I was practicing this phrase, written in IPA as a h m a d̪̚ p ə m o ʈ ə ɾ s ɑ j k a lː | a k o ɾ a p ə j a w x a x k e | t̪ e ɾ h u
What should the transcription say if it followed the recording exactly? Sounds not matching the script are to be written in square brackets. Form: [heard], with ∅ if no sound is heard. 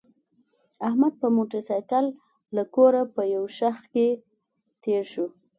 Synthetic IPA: a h m a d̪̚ p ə m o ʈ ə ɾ s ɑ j k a lː | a k o ɾ a p ə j a w [ʃ] a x k e | t̪ e ɾ [ʃ] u